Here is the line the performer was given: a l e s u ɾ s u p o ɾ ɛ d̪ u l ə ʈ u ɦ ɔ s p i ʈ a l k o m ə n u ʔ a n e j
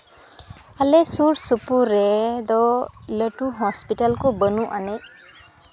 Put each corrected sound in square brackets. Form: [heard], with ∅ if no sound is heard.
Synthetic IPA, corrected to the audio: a l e s u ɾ s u p [u] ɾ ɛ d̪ [ɔ] l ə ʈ u ɦ ɔ s p i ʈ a l k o [b] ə n u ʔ a n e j